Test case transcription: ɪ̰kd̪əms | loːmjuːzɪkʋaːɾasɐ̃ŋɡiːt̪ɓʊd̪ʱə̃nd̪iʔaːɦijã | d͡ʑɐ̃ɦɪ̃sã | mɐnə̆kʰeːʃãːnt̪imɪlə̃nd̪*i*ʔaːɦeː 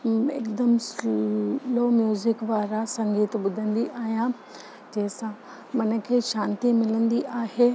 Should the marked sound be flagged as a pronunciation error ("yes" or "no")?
no